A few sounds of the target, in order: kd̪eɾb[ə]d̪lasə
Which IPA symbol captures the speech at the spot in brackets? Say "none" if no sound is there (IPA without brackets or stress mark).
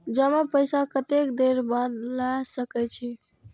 a